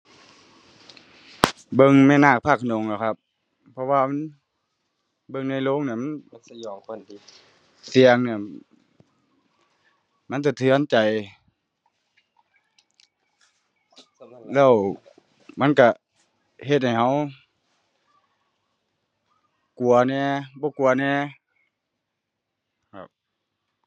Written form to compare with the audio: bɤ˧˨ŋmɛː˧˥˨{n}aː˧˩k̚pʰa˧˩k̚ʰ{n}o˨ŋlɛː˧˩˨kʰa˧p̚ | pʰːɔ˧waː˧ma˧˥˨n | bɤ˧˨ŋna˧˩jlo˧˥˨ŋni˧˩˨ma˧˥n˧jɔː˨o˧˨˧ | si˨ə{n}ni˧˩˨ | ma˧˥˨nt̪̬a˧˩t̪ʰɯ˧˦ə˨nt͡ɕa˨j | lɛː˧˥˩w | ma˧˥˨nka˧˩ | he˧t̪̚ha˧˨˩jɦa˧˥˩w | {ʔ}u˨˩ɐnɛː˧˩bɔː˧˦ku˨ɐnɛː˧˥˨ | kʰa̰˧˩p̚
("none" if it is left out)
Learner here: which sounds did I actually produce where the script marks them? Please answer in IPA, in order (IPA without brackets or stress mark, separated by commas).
n, n, ŋ, k